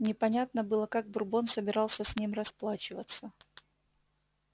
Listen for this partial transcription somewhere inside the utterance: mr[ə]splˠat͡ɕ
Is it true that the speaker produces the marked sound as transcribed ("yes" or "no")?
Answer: no